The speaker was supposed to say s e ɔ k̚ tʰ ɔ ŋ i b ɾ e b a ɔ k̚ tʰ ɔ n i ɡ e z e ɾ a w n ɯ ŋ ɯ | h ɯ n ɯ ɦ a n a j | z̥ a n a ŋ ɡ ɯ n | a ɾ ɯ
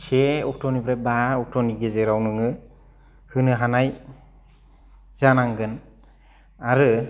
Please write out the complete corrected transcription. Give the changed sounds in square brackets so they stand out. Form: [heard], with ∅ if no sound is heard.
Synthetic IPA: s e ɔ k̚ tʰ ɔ [n] i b ɾ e b a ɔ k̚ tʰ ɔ n i ɡ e z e ɾ a w n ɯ ŋ ɯ | h ɯ n ɯ ɦ a n a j | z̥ a n a ŋ ɡ ɯ n | a ɾ ɯ